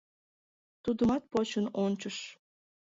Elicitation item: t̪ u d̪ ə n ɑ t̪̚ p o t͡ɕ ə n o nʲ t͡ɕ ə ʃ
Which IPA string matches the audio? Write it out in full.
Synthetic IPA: t̪ u d̪ ə m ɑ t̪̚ p o t͡ɕ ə n o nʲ t͡ɕ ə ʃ

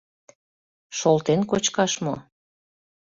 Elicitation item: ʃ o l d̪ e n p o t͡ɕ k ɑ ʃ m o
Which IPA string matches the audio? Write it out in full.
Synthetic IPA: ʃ o l t̪ e n k o t͡ɕ k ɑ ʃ m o

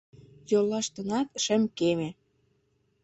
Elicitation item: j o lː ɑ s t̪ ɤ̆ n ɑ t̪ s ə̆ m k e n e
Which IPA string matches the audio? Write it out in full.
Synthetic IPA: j o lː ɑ ʃ t̪ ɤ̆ n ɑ t̪ ʃ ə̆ m k e m e

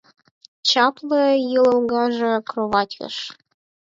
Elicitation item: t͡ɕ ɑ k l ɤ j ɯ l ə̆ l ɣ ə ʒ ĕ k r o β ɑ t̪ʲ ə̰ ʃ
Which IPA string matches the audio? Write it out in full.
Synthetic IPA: t͡ɕ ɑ p l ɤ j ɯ l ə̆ l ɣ ɑ ʒ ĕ k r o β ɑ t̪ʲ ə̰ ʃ

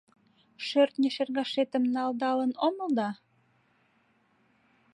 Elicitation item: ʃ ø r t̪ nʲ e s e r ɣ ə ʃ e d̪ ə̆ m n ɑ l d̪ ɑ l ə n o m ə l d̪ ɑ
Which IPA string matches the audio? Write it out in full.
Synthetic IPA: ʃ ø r t̪ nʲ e ʃ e r ɣ ɑ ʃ e t̪ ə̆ m n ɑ l d̪ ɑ l ə n o m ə l d̪ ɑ

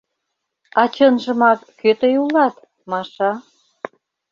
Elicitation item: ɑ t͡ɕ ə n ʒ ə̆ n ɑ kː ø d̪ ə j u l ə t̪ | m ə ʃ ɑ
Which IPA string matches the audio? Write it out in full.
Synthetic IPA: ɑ t͡ɕ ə n ʒ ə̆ m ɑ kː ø t̪ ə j u l ɑ t̪ | m ɑ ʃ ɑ

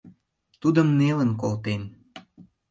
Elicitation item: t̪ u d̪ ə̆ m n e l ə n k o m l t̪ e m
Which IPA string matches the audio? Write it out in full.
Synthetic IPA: t̪ u d̪ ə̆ m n e l ə n k o l t̪ e n

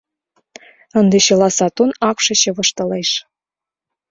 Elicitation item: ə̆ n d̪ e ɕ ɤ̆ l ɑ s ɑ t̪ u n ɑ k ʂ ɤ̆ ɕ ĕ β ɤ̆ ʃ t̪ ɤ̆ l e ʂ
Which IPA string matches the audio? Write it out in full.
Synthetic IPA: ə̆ n d̪ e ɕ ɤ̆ l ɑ s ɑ t̪ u n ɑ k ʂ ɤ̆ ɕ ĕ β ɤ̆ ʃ t̪ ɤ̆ l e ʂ

